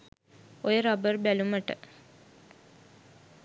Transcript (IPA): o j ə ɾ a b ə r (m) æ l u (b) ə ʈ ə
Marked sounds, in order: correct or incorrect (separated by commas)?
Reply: incorrect, incorrect